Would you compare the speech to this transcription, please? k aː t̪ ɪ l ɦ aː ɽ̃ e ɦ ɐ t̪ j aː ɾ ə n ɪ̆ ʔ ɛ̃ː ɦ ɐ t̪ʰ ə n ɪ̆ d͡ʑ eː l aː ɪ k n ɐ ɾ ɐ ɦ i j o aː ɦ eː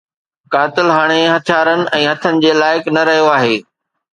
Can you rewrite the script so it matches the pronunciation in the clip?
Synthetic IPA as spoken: k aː t̪ ɪ l ɦ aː ɽ̃ e ɦ ɐ t̪ʰ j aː ɾ ə n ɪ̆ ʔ ɛ̃ː ɦ ɐ t̪ʰ ə n ɪ̆ d͡ʑ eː l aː ɪ k n ɐ ɾ ɐ ɦ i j o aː ɦ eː